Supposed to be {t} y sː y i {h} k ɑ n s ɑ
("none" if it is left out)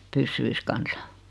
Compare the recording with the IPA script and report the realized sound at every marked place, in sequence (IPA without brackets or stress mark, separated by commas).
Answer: p, s